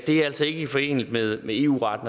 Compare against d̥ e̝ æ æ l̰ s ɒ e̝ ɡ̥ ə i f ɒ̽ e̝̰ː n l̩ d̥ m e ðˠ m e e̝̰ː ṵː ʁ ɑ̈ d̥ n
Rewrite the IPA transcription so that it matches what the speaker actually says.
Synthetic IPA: d̥ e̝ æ æ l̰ s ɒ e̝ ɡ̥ ə i f ɒ̽ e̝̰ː n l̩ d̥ m e ðˠ m e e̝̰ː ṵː ʁ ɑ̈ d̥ n